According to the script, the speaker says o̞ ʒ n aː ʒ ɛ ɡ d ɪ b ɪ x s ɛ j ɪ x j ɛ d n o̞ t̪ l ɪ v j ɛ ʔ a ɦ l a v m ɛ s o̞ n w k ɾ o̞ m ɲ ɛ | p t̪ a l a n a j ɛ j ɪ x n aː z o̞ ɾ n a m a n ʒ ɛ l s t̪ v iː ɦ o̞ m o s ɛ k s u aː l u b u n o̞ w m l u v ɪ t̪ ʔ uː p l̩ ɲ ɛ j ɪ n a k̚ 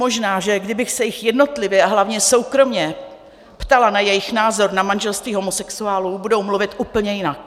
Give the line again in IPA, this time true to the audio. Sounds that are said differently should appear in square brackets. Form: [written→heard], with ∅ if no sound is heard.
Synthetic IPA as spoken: o̞ ʒ n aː ʒ ɛ ɡ d ɪ b ɪ x s ɛ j ɪ x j ɛ d n o̞ t̪ l ɪ v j ɛ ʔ a ɦ l a v [m→ɲ] ɛ s o̞ [n→∅] w k ɾ o̞ m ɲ ɛ | p t̪ a l a n a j ɛ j ɪ x n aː z o̞ ɾ n a m a n ʒ ɛ l s t̪ v iː ɦ o̞ m o s ɛ k s u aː l u b u [n→d] o̞ w m l u v ɪ t̪ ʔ uː p l̩ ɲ ɛ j ɪ n a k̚

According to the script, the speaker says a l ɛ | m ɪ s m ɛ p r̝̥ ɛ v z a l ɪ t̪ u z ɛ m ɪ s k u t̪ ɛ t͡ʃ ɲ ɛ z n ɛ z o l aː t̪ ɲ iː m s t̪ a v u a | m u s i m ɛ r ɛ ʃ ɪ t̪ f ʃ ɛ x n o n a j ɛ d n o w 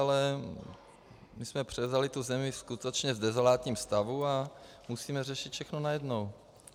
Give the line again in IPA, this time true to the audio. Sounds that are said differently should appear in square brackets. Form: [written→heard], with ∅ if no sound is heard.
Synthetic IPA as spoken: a l ɛ | m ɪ s m ɛ p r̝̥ ɛ v z a l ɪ t̪ u z ɛ m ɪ s k u t̪ ɛ t͡ʃ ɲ ɛ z [n→d] ɛ z o l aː t̪ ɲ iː m s t̪ a v u a | m u s [i→iː] m ɛ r ɛ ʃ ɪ t̪ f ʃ ɛ x n o n a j ɛ d n o w

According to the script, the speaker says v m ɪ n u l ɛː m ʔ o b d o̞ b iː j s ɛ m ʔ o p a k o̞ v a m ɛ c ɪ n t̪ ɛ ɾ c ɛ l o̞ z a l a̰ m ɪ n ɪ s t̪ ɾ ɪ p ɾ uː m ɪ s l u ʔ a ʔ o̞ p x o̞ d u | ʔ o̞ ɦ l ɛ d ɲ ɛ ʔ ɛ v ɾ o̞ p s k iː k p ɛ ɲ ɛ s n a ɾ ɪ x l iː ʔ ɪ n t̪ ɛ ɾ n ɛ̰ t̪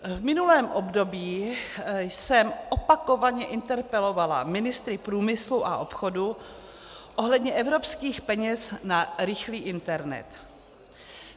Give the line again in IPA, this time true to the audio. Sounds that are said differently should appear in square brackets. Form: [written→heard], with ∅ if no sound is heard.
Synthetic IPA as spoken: v m ɪ n u l ɛː m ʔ o b d o̞ b iː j s ɛ m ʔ o p a k o̞ v a [m→ɲ] ɛ [c→ʔ] ɪ n t̪ ɛ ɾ [c→p] ɛ l o̞ [z→v] a l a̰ m ɪ n ɪ s t̪ ɾ ɪ p ɾ uː m ɪ s l u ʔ a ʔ o̞ p x o̞ d u | ʔ o̞ ɦ l ɛ d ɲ ɛ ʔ ɛ v ɾ o̞ p s k iː [k→x] p ɛ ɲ ɛ s n a ɾ ɪ x l iː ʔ ɪ n t̪ ɛ ɾ n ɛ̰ t̪

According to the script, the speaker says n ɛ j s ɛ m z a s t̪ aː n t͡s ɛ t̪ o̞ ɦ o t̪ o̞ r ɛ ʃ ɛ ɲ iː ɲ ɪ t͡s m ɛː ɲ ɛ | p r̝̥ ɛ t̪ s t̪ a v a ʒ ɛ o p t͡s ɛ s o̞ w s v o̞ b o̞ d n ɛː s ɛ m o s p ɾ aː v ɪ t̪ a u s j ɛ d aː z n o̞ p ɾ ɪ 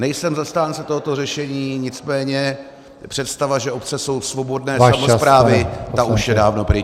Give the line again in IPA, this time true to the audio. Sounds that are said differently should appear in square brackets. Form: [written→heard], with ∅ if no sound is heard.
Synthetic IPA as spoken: n ɛ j s ɛ m z a s t̪ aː n t͡s ɛ t̪ o̞ ɦ o t̪ o̞ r ɛ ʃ ɛ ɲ iː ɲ ɪ t͡s m ɛː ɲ ɛ | p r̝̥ ɛ t̪ s t̪ a v a ʒ ɛ o p t͡s ɛ s o̞ w s v o̞ b o̞ d n ɛː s [ɛ→a] m o s p ɾ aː v ɪ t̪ a u [s→ʃ] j ɛ d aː [z→v] n o̞ p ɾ ɪ

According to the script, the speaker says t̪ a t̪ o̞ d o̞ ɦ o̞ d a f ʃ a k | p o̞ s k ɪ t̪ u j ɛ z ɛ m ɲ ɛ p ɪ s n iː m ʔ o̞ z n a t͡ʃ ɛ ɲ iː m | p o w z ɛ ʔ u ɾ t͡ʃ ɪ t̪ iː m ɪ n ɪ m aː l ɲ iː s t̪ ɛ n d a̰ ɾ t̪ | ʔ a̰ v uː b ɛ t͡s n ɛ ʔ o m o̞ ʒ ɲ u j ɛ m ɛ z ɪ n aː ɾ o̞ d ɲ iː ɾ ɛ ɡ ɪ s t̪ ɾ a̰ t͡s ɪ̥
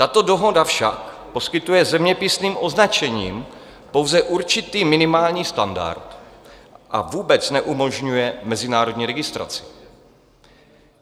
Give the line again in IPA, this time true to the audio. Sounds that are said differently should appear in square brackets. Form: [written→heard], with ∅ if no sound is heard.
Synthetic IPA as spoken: t̪ a t̪ o̞ d o̞ ɦ o̞ d a f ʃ a k | p o̞ s k ɪ t̪ u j ɛ z ɛ m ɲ ɛ p ɪ s n iː m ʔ o̞ z n a t͡ʃ ɛ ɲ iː m | p o w z ɛ ʔ u ɾ t͡ʃ ɪ t̪ iː m ɪ n ɪ m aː l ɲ iː s t̪ [ɛ→a] n d a̰ ɾ t̪ | ʔ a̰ v uː b ɛ t͡s n ɛ ʔ [o→u] m o̞ ʒ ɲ u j ɛ m ɛ z ɪ n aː ɾ o̞ d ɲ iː ɾ ɛ ɡ ɪ s t̪ ɾ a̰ t͡s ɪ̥

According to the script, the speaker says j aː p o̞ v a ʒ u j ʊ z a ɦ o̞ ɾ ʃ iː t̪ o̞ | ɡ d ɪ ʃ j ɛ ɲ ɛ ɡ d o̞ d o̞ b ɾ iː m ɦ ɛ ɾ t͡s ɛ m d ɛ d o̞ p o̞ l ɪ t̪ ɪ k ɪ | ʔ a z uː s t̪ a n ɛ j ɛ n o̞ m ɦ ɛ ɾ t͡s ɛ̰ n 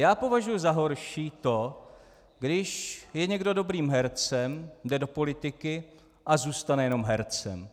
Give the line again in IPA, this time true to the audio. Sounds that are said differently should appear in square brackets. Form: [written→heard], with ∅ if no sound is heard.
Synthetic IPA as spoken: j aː p o̞ v a ʒ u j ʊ z a ɦ o̞ ɾ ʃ iː t̪ o̞ | ɡ d ɪ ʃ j ɛ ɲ ɛ ɡ d o̞ d o̞ b ɾ iː m ɦ ɛ ɾ t͡s ɛ m d ɛ d o̞ p o̞ l ɪ t̪ ɪ k ɪ | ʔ a z uː s t̪ a n ɛ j ɛ n o̞ m ɦ ɛ ɾ t͡s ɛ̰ [n→m]

